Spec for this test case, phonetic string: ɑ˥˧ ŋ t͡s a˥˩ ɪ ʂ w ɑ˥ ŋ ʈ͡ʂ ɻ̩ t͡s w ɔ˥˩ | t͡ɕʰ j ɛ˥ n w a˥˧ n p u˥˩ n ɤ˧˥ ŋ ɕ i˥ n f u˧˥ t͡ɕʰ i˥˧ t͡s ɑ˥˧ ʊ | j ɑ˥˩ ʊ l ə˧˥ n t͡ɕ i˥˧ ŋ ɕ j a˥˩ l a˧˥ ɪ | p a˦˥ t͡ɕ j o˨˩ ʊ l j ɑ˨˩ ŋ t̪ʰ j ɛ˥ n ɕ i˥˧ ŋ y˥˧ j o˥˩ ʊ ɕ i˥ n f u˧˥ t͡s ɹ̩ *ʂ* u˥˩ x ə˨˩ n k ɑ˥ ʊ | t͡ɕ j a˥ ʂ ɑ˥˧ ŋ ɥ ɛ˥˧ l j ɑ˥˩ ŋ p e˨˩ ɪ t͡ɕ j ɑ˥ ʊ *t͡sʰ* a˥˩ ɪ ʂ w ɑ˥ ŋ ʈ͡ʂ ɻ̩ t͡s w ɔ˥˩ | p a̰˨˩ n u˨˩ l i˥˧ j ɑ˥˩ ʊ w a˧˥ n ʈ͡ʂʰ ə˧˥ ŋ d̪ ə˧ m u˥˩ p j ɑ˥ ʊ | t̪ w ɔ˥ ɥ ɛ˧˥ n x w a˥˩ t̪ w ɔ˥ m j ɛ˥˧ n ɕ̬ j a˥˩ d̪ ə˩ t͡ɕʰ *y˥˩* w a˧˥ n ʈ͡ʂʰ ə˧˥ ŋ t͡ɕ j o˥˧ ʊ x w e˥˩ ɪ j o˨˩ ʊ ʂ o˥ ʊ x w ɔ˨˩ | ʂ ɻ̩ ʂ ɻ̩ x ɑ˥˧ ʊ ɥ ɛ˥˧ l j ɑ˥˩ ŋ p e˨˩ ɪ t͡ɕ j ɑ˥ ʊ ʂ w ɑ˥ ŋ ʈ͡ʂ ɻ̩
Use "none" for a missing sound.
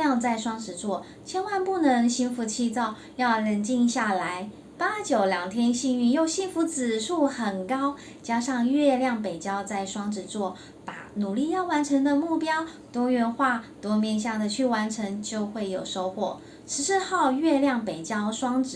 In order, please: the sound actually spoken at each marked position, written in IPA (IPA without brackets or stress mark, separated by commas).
ʂ, t͡s, y˥˩